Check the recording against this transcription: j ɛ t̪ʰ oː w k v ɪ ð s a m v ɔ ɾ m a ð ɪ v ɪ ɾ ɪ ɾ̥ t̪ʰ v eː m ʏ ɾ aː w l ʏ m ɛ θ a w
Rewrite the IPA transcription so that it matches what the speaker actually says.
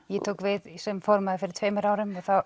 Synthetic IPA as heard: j ɛ t̪ʰ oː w k v ɪ ð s ɛ m f ɔ ɾ m a ð ɪ f ɪ ɾ ɪ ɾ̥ t̪ʰ v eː m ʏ ɾ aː w ɾ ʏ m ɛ θ a w